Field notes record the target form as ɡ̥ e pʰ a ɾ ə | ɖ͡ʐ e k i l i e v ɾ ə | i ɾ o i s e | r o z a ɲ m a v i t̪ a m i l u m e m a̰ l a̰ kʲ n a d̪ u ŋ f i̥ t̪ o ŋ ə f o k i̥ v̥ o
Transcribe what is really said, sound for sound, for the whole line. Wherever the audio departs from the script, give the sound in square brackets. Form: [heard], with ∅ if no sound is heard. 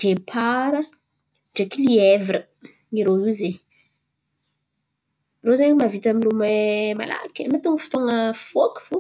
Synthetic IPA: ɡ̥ e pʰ a ɾ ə | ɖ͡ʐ e k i l i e v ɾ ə | i ɾ o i [z] e | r o z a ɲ m a v i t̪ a m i l u m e m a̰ l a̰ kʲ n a [t̪] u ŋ f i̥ t̪ o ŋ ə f o k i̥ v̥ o